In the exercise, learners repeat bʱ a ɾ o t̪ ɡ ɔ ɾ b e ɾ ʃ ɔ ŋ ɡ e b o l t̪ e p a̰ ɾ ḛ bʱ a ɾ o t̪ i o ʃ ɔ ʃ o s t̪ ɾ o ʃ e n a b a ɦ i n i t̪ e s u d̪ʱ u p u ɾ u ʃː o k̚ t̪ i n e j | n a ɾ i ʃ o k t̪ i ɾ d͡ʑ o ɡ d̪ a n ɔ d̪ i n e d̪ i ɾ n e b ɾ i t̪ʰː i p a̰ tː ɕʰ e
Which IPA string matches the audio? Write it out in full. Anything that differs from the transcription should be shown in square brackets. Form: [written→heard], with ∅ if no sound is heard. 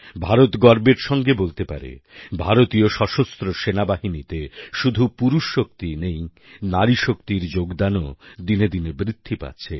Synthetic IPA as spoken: bʱ a ɾ o t̪ ɡ ɔ ɾ b e ɾ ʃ ɔ ŋ ɡ e b o l t̪ e p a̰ ɾ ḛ bʱ a ɾ o t̪ i o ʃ ɔ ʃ o s t̪ ɾ o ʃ e n a b a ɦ i n i t̪ e [s→ʃ] u d̪ʱ u p u ɾ u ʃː o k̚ t̪ i n e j | n a ɾ i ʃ o k t̪ i ɾ d͡ʑ o ɡ d̪ a n [ɔ→o] d̪ i n e d̪ i [ɾ→∅] n e b ɾ i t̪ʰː i p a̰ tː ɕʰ e